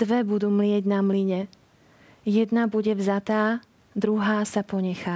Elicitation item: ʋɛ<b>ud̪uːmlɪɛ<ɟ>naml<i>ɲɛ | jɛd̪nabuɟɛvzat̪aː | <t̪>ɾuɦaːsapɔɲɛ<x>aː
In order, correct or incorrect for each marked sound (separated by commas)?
correct, correct, correct, incorrect, correct